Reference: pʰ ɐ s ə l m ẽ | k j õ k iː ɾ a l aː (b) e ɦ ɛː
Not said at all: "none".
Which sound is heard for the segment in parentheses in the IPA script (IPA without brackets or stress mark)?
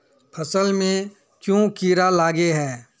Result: ɡ